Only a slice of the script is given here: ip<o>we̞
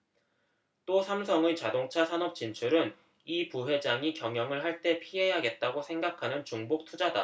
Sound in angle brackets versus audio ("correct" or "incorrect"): incorrect